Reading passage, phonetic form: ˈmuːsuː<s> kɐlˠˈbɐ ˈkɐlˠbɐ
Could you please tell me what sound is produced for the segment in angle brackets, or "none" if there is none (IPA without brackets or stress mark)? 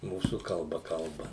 none